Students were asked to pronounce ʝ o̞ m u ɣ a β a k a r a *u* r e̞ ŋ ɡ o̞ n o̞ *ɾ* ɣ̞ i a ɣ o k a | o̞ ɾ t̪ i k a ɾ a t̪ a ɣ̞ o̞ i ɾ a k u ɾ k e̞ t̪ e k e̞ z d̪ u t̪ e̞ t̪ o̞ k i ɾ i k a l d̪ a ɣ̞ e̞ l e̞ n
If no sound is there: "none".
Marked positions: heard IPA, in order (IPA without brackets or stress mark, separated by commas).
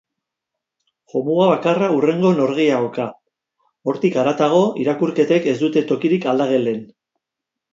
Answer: u, ɾ